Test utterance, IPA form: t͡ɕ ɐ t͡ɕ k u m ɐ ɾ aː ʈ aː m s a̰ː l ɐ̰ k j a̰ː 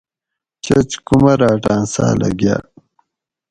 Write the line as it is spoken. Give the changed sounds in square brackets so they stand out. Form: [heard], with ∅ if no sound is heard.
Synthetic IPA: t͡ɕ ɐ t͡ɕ k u m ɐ ɾ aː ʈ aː [n] s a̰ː l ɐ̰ [ɡ] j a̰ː